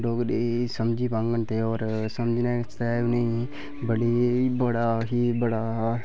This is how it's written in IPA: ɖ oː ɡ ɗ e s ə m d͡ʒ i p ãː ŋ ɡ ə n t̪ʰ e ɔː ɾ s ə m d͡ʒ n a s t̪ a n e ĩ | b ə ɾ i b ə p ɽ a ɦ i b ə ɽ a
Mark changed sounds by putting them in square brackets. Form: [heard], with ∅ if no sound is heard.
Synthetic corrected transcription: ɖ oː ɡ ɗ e s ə m d͡ʒ i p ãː ŋ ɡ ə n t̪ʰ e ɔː ɾ s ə m d͡ʒ n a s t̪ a n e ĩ | b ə [ɽ] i b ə [∅] ɽ a ɦ i b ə ɽ a